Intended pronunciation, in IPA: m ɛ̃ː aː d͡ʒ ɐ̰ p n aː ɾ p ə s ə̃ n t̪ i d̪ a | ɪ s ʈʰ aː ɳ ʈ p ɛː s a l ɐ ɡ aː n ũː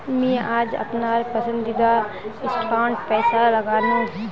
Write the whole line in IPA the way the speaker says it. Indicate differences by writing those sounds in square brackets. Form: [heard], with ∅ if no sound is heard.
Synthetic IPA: m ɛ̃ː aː d͡ʒ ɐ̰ p n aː ɾ p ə s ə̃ n [d̪] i d̪ a | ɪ s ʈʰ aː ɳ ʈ p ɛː s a l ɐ ɡ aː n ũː